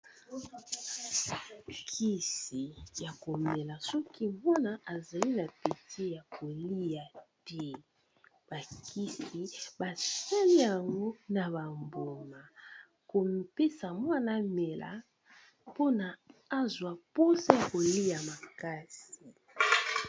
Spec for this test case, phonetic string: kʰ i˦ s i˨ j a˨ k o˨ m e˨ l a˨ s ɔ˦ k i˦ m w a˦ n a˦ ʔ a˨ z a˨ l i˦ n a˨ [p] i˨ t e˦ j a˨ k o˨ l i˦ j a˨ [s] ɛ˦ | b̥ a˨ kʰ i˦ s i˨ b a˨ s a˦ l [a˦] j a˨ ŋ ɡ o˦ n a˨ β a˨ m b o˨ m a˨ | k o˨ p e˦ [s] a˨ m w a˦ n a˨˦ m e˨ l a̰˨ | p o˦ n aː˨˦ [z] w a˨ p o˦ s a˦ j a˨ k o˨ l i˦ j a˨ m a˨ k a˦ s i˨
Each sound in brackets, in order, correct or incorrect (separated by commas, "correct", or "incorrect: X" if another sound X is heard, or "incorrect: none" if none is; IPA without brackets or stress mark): correct, incorrect: t, incorrect: i˦, correct, correct